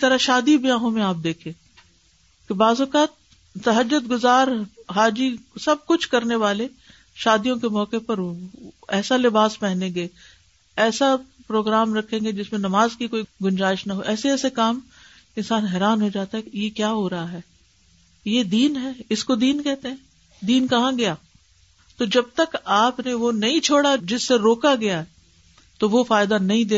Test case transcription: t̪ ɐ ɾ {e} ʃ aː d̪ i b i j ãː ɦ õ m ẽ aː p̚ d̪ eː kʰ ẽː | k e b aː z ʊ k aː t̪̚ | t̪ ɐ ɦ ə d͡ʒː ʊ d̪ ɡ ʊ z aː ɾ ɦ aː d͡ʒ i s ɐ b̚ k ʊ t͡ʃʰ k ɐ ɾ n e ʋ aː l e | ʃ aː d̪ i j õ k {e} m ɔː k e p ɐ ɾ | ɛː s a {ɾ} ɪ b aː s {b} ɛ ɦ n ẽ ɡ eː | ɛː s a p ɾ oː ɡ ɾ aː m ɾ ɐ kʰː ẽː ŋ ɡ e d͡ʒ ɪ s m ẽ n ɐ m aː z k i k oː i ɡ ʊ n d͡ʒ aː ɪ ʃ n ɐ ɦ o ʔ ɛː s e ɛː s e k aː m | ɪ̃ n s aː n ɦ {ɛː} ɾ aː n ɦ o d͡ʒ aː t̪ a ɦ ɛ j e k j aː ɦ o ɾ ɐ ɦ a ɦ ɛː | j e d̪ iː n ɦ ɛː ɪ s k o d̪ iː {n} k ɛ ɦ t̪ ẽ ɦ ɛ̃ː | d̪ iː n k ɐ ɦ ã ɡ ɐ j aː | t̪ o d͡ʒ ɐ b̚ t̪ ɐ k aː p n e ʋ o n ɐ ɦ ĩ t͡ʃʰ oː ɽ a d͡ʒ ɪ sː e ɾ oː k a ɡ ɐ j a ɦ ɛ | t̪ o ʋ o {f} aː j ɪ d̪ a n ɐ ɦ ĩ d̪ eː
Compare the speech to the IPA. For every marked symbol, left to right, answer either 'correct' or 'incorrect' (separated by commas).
incorrect, correct, incorrect, incorrect, correct, correct, correct